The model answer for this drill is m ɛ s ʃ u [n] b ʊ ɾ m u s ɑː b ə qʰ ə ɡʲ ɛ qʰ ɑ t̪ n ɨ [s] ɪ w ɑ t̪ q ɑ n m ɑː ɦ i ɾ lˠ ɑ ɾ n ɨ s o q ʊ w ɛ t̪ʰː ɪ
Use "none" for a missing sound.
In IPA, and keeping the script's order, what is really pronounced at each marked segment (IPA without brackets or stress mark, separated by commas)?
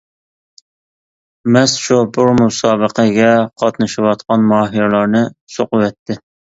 none, ʃ